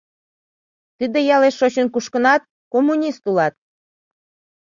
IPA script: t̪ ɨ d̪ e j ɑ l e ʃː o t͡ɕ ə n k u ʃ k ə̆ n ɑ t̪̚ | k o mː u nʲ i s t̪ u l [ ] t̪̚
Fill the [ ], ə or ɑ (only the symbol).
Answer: ɑ